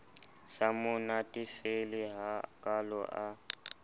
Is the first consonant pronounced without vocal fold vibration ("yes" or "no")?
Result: yes